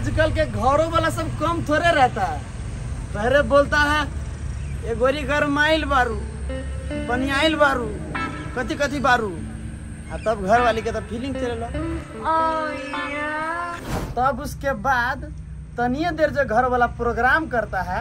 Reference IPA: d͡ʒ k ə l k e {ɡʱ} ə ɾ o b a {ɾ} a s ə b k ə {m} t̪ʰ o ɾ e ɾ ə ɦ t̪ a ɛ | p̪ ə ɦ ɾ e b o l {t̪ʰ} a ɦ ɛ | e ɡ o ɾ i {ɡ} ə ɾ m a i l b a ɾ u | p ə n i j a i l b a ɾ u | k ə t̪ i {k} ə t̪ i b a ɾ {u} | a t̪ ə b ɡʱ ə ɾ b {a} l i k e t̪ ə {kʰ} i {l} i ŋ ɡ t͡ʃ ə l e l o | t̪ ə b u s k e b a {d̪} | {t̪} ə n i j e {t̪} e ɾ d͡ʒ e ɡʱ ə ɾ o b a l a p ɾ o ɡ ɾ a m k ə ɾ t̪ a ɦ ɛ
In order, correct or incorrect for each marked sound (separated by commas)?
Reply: correct, incorrect, correct, incorrect, correct, correct, correct, correct, incorrect, correct, correct, correct, incorrect